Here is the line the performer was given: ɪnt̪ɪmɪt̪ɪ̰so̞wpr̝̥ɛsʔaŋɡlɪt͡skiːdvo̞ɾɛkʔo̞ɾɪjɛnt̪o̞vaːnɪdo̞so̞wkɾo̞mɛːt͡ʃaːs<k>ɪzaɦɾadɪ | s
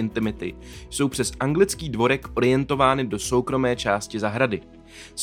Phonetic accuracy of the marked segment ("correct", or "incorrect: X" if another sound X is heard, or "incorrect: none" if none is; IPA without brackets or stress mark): incorrect: c